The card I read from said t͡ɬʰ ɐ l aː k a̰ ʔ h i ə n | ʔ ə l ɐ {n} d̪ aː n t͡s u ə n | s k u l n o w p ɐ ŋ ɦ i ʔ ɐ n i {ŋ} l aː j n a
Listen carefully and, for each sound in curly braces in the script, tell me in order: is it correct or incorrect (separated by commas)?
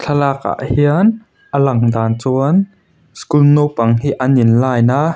incorrect, incorrect